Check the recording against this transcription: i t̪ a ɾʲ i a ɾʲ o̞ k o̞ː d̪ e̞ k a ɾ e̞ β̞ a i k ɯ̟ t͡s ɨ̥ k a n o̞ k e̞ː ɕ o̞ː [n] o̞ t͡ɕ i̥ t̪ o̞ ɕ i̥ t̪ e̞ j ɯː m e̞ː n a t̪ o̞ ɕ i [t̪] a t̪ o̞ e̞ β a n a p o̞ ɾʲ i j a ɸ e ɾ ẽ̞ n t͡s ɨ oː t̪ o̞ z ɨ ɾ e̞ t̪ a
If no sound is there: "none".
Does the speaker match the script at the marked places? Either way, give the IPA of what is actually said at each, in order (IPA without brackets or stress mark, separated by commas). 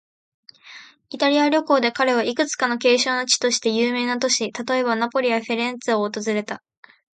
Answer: n, t̪